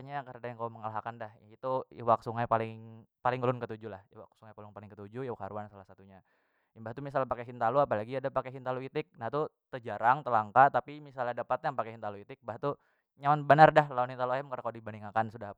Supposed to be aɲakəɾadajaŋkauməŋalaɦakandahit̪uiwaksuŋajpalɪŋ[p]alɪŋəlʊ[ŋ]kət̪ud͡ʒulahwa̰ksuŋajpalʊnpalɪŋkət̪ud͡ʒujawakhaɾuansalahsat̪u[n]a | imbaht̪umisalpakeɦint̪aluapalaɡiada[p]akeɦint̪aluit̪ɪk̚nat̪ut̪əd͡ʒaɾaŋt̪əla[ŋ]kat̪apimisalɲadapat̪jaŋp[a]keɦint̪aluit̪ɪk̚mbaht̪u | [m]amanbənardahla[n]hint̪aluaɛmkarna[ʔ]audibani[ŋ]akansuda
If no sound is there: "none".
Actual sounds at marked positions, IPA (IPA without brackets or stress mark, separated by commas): p, n, ɲ, p, ŋ, a, ɲ, n, k, ŋ